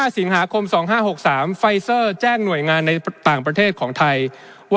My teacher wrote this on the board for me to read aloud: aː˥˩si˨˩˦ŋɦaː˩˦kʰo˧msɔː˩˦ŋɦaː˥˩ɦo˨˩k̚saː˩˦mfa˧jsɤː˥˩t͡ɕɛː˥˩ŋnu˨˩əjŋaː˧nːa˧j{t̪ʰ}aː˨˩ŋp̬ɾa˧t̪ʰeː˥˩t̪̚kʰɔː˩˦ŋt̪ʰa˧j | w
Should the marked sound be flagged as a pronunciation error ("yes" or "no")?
yes